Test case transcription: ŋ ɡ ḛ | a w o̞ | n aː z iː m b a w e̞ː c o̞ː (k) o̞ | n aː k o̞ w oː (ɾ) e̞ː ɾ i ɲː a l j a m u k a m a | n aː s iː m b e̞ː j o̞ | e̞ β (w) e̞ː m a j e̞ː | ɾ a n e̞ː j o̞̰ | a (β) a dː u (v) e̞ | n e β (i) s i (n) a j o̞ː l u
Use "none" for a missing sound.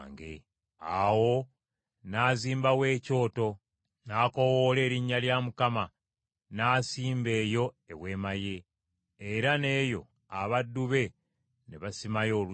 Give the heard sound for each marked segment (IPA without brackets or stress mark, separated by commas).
t, l, w, β, β, a, m